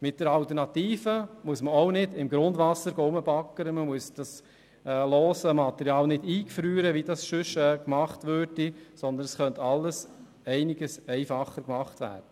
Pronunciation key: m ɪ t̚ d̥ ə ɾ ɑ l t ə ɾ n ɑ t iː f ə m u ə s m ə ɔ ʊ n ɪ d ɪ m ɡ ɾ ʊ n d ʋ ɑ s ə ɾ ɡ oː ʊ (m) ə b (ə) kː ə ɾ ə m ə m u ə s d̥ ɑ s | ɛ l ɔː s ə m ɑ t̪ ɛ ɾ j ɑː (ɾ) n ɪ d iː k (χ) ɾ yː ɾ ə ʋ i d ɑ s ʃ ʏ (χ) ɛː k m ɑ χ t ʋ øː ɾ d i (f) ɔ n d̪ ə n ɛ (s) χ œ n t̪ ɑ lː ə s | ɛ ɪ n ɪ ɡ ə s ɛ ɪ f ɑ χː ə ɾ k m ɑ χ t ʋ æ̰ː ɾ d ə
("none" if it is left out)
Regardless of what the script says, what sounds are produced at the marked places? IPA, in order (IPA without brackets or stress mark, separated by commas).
m, ɑ, l, f, ʃ, s, s